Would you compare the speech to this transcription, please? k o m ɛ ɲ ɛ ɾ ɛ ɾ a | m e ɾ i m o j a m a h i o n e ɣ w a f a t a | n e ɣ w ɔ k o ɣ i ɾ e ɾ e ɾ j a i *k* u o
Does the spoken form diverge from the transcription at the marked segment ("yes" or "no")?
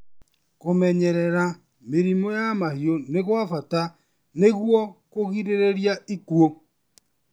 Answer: no